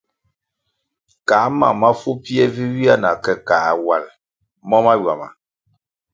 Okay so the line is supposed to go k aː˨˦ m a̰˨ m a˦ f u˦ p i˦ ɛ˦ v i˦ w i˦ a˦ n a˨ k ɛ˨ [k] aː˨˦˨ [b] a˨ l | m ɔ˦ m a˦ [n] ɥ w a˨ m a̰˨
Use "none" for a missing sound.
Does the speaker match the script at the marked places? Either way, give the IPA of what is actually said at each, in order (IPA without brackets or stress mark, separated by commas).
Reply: k, w, none